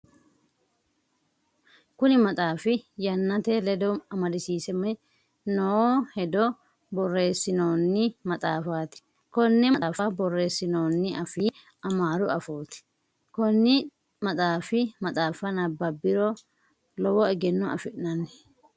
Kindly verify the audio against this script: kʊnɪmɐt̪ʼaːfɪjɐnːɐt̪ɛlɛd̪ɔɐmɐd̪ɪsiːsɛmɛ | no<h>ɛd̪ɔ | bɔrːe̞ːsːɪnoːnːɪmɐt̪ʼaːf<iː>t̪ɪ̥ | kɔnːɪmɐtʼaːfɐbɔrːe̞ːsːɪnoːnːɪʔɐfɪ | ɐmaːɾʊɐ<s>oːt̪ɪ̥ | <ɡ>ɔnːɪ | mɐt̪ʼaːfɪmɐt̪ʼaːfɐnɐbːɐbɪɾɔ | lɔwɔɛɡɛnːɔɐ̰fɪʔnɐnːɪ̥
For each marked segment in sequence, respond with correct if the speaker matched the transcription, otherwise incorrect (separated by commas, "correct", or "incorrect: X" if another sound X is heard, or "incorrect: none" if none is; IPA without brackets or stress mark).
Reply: correct, incorrect: aː, incorrect: f, incorrect: k